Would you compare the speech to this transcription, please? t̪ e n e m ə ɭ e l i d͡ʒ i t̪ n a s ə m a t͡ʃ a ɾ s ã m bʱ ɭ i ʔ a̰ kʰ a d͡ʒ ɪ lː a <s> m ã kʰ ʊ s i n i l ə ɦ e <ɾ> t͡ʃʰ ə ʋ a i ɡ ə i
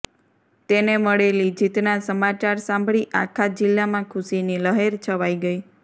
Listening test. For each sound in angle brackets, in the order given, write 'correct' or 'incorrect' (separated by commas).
incorrect, correct